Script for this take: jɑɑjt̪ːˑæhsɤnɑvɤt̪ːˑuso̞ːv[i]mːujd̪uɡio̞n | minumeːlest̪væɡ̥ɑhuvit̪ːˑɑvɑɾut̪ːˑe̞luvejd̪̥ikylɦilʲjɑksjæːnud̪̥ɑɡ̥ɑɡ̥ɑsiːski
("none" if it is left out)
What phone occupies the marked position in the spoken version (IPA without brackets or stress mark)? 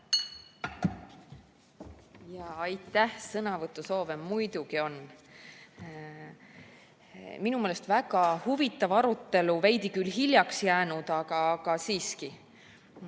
e